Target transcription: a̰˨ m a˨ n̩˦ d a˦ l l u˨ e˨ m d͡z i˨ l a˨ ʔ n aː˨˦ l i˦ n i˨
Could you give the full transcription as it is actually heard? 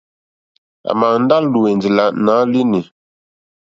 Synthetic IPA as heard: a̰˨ m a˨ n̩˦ d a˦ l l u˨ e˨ n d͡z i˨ l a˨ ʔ n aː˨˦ l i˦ n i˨